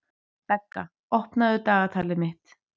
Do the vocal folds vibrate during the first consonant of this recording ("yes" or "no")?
no